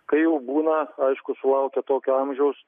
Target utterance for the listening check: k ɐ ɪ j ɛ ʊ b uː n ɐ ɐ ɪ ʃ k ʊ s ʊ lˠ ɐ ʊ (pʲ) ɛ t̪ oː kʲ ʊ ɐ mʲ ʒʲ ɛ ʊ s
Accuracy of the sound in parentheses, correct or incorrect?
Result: incorrect